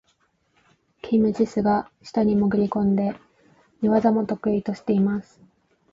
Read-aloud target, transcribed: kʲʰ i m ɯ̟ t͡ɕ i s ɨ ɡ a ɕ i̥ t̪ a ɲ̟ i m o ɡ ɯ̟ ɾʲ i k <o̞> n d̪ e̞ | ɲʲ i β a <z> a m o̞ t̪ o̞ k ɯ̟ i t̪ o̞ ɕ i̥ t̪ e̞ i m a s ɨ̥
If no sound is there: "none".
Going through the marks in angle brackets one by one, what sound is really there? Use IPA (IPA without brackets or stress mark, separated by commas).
õ̞, z